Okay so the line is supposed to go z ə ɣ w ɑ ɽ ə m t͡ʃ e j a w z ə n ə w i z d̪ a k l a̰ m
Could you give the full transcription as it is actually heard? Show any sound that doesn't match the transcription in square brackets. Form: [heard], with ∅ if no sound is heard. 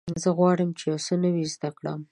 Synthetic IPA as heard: z ə ɣ w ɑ ɽ ə m t͡ʃ e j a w [s] ə n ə w i z d̪ a k [ɽ] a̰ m